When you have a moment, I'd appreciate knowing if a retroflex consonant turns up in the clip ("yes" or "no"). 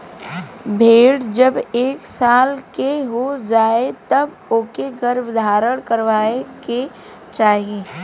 yes